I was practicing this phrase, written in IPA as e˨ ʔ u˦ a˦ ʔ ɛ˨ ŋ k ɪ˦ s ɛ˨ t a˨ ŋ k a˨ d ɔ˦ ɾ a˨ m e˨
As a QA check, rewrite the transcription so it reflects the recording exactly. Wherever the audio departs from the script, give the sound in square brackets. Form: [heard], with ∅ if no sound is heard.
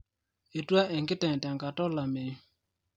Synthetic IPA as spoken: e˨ [t] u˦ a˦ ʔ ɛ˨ ŋ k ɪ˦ [t] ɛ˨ t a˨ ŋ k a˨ [t] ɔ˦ [l] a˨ m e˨